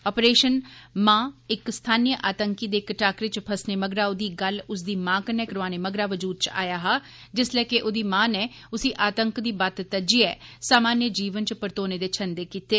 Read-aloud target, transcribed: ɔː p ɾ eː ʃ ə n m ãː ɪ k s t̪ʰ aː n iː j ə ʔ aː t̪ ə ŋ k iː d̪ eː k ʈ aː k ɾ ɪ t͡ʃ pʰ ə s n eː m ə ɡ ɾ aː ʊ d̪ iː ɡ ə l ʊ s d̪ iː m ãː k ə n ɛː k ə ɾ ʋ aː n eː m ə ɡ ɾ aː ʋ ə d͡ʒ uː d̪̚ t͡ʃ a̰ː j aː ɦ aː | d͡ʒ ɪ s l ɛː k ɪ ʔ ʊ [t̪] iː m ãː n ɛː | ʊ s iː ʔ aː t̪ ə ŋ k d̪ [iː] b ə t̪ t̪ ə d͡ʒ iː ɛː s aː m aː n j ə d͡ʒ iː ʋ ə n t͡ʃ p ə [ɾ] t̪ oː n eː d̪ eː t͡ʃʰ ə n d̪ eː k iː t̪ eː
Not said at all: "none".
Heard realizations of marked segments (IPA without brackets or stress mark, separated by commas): d̪, iː, ɾ